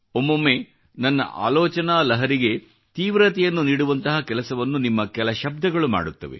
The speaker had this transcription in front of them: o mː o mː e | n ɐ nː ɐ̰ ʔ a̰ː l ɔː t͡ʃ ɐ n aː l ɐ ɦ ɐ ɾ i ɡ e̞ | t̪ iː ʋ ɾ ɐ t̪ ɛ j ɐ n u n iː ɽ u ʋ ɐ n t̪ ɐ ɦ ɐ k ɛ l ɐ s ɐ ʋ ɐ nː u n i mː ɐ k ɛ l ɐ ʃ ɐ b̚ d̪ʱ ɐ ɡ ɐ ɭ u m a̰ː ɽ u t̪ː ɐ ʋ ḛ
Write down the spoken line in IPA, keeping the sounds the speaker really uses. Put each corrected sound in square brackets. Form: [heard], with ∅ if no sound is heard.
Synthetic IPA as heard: o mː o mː e | n ɐ nː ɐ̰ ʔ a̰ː l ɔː t͡ʃ ɐ n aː l ɐ ɦ ɐ ɾ i ɡ e̞ | t̪ iː ʋ ɾ ɐ t̪ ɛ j ɐ [nː] u n iː ɽ u ʋ ɐ n t̪ ɐ ɦ ɐ k ɛ l ɐ s ɐ ʋ ɐ nː u n i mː ɐ k ɛ l ɐ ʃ ɐ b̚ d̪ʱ ɐ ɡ ɐ ɭ u m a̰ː ɽ u t̪ː ɐ ʋ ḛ